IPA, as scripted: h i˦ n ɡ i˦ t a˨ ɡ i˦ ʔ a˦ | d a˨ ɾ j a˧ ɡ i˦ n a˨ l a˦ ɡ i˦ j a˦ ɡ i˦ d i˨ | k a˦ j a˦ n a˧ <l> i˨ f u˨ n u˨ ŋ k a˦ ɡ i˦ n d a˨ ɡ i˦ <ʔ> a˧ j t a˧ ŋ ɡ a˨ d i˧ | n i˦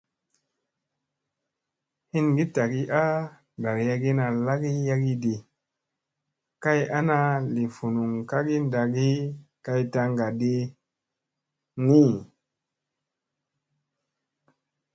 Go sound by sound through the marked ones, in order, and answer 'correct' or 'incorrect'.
correct, incorrect: k

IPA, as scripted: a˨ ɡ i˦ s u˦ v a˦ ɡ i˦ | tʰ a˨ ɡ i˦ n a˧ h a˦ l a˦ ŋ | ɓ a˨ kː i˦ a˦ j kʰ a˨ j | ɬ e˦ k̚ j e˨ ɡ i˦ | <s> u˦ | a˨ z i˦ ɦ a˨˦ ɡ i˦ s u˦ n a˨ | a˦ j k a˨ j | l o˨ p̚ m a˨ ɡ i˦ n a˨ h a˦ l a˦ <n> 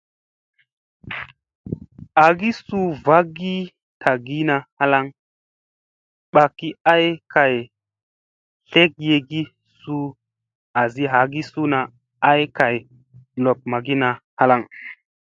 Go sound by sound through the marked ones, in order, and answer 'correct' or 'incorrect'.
correct, incorrect: ŋ

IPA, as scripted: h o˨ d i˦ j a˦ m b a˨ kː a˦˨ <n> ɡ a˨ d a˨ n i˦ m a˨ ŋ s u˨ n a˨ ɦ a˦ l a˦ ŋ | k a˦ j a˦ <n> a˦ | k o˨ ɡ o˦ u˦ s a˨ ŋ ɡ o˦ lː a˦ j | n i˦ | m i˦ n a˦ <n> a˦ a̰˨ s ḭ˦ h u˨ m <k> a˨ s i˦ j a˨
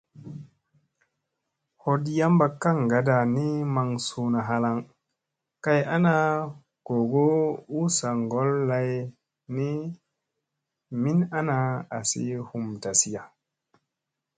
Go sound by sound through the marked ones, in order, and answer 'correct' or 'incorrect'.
incorrect: ŋ, correct, correct, incorrect: t

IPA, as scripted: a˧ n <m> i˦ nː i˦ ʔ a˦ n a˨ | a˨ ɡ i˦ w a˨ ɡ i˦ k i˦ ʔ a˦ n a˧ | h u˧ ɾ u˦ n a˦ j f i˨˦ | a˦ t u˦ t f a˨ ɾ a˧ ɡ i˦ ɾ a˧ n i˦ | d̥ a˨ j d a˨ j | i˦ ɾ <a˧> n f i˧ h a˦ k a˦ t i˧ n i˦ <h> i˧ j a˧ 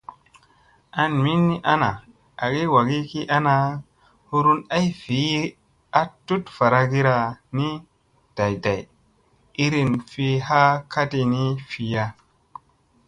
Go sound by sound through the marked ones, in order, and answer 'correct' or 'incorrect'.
correct, incorrect: i˧, incorrect: f

